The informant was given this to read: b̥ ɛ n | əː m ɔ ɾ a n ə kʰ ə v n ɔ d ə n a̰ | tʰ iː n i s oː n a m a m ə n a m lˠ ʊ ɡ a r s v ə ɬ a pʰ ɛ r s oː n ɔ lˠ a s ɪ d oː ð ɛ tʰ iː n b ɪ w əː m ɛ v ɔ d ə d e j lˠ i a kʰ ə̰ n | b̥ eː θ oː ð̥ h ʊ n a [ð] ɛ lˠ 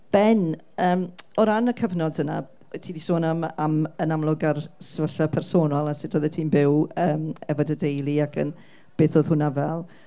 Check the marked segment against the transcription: incorrect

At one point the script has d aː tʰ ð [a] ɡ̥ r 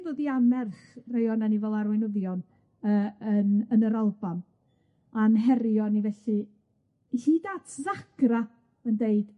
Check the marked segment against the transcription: correct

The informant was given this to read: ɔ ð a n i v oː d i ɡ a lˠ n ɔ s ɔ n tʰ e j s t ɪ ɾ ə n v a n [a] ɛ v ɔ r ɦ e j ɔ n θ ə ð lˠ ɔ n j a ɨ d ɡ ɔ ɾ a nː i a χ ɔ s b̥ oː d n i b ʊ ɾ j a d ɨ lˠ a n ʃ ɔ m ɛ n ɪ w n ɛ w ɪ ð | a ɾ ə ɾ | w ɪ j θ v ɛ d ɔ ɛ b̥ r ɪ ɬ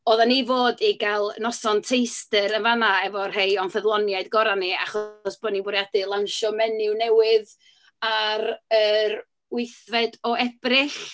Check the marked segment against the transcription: correct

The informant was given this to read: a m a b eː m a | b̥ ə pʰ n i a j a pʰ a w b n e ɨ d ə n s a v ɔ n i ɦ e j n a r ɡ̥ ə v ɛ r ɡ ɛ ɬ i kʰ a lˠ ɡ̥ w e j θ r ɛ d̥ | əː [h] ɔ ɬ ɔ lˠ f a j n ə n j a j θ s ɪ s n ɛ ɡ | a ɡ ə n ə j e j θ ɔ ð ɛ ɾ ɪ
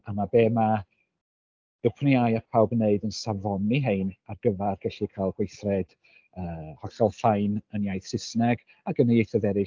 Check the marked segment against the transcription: correct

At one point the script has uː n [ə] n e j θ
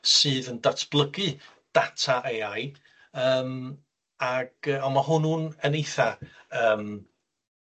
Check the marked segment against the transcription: correct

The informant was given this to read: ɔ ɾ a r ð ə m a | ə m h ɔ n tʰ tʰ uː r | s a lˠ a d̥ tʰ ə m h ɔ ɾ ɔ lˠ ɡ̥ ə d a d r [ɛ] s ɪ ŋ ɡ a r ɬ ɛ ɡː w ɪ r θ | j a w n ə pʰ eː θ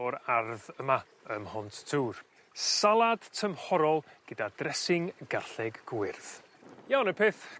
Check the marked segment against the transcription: correct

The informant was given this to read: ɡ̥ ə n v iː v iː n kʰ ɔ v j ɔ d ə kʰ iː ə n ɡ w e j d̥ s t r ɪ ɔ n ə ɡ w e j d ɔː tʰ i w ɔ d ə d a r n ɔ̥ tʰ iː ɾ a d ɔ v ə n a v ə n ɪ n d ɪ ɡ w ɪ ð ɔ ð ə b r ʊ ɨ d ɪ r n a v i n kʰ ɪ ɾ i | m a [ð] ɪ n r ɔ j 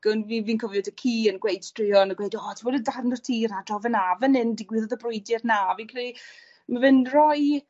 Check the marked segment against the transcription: incorrect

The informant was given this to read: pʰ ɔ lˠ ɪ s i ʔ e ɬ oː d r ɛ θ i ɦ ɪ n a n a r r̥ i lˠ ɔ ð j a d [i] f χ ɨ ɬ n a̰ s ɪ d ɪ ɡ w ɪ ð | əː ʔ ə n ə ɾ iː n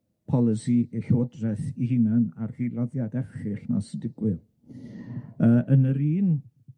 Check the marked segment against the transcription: incorrect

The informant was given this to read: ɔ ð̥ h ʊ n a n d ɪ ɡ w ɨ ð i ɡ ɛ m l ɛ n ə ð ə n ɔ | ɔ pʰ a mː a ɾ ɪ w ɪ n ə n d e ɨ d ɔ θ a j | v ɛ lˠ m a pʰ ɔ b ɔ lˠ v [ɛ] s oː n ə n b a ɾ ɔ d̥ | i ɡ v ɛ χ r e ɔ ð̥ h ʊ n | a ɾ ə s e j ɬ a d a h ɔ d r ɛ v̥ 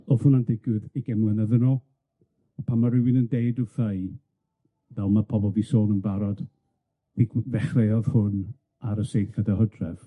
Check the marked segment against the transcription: incorrect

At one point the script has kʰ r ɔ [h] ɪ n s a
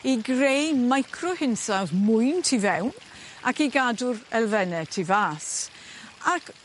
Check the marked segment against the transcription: correct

